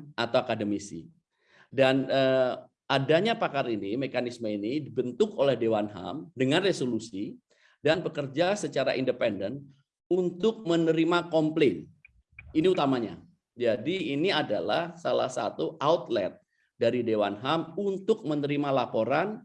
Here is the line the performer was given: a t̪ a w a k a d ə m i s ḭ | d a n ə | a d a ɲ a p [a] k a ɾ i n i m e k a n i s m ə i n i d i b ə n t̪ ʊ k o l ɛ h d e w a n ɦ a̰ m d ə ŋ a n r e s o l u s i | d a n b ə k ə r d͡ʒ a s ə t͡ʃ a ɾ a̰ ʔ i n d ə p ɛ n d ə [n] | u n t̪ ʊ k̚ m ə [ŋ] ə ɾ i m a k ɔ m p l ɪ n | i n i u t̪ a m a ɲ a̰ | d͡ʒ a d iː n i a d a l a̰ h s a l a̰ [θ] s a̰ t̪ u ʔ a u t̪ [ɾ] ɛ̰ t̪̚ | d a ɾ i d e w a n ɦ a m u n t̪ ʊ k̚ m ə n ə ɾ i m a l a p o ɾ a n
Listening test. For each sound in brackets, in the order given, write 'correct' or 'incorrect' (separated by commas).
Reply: correct, correct, incorrect, incorrect, incorrect